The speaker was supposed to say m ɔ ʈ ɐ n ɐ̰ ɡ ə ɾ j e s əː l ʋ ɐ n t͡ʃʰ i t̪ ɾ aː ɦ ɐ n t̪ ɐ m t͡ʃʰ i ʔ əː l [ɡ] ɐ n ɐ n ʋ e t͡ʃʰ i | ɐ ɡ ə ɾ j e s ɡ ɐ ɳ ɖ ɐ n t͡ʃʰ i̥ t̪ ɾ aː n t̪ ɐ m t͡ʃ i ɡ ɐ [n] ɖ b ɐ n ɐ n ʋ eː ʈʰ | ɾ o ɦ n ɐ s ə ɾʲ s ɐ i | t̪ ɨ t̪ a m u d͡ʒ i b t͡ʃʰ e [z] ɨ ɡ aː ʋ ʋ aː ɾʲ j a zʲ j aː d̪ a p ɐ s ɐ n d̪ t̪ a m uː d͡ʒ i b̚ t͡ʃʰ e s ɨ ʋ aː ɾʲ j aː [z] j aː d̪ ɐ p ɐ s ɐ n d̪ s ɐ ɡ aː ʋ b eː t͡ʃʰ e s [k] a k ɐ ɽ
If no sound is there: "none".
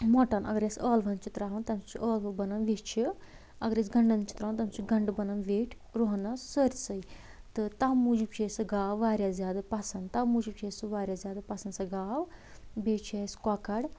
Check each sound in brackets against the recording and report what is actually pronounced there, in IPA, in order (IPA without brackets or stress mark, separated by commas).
b, ɳ, s, z, k